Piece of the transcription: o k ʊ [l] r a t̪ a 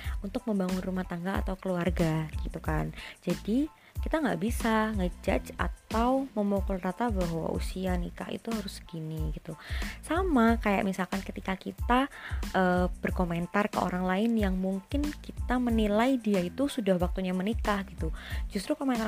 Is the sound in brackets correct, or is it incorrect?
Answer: correct